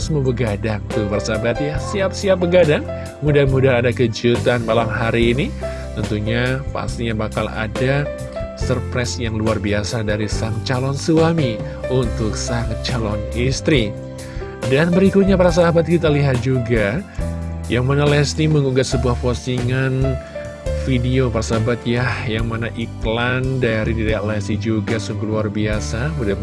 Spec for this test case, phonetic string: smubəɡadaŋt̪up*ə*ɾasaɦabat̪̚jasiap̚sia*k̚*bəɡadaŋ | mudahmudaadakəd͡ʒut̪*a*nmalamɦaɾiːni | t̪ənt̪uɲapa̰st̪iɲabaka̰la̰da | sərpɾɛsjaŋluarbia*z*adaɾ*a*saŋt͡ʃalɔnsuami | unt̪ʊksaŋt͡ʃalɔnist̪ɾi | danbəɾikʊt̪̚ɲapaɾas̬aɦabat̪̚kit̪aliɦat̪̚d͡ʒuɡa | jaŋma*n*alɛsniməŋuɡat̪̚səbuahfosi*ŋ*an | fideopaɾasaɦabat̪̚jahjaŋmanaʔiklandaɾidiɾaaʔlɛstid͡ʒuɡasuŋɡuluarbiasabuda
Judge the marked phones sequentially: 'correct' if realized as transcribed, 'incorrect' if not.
incorrect, incorrect, correct, incorrect, incorrect, correct, correct

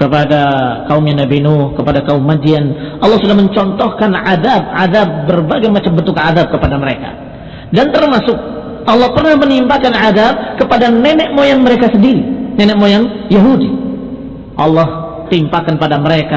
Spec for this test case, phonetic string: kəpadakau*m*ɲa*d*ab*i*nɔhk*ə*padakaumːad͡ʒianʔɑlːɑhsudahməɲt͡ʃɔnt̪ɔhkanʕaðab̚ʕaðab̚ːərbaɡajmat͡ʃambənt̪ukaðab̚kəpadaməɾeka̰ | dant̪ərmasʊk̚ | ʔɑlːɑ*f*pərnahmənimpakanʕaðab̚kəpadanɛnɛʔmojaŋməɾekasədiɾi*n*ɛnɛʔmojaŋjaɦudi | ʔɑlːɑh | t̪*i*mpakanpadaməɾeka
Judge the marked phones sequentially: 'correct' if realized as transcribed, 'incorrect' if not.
correct, incorrect, correct, correct, incorrect, correct, correct

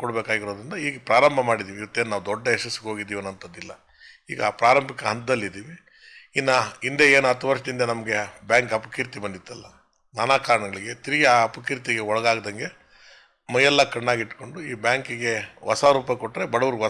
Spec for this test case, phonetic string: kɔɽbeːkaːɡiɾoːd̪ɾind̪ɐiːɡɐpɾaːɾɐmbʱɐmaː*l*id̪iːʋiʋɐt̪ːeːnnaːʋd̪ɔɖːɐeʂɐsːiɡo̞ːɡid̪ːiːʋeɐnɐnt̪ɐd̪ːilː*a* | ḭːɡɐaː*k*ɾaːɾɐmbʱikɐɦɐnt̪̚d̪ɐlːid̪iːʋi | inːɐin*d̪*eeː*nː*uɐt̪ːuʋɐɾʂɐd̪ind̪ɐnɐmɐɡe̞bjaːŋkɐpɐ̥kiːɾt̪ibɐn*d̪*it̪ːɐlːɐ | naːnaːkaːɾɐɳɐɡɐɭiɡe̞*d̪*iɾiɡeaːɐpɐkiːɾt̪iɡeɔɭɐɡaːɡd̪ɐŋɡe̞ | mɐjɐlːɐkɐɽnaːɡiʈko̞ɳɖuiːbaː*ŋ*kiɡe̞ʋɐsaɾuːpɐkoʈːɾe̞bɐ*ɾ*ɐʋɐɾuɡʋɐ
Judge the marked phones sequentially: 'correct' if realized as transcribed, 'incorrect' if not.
incorrect, incorrect, incorrect, correct, incorrect, correct, incorrect, correct, incorrect

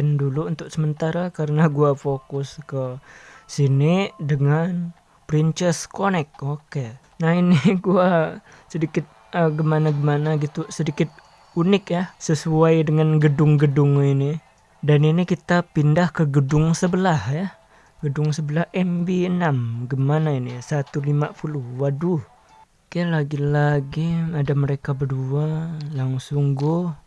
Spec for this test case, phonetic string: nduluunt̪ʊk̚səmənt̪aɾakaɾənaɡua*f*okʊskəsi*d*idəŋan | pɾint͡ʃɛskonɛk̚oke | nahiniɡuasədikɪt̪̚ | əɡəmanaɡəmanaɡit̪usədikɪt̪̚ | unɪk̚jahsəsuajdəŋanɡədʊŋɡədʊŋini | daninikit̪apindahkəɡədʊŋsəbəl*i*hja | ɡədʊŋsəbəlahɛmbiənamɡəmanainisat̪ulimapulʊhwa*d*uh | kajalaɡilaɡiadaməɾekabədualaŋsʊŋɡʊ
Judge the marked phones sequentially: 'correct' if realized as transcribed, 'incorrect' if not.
correct, incorrect, incorrect, correct

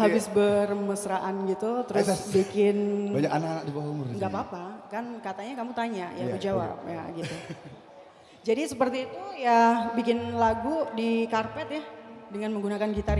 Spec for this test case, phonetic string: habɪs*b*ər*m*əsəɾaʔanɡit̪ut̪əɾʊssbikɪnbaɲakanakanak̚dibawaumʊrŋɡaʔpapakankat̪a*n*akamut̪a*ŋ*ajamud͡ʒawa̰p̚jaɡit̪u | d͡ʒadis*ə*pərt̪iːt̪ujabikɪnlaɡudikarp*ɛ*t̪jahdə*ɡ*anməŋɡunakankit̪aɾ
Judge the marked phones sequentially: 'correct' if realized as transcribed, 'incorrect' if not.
correct, correct, incorrect, incorrect, correct, correct, incorrect

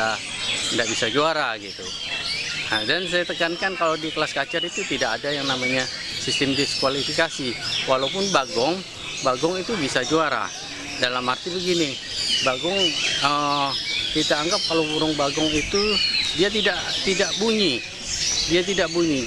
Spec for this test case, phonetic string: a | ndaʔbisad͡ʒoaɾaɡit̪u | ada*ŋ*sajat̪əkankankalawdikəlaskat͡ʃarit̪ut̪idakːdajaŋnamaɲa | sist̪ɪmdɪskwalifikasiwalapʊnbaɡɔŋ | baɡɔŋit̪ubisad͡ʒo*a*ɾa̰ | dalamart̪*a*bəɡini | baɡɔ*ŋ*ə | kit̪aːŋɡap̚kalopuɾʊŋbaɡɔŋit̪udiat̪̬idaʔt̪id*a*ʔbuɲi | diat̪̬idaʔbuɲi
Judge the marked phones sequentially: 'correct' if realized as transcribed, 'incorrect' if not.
incorrect, correct, incorrect, correct, correct

